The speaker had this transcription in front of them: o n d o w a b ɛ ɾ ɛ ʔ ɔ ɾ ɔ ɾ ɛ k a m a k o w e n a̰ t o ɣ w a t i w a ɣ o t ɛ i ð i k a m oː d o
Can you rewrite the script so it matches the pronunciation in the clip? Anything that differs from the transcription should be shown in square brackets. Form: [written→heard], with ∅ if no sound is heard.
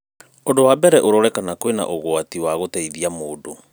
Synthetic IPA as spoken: o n d o w a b ɛ ɾ ɛ ʔ [ɔ→o] ɾ ɔ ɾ ɛ k a [m→n] a k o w e n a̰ [t→ʔ] o ɣ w a t i w a ɣ o t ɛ i ð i [k→∅] a m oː d o